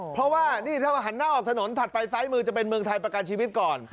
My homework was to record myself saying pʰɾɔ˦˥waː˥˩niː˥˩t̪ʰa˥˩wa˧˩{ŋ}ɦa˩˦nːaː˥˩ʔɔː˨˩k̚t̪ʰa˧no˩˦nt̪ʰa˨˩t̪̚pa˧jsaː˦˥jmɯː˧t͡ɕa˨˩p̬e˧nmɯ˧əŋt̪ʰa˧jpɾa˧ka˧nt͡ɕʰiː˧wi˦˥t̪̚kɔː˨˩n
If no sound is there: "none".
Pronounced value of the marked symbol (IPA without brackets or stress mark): none